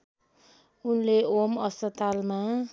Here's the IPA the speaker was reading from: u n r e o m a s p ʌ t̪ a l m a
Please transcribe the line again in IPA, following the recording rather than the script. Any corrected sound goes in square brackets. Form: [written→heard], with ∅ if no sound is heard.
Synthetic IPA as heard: u n [r→l] e o m [a→ʌ] s p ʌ t̪ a l m a